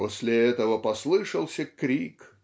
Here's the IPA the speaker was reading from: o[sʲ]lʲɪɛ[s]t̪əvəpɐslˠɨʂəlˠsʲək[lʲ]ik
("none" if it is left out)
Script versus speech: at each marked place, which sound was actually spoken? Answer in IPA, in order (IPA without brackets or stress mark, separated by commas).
sʲ, none, ɾʲ